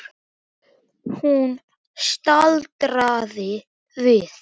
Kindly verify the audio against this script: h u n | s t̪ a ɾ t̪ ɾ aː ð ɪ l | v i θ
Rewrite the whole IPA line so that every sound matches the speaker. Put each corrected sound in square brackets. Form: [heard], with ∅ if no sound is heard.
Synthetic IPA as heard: h u n | s t̪ a [l] t̪ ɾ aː ð ɪ [∅] | v [ɪ] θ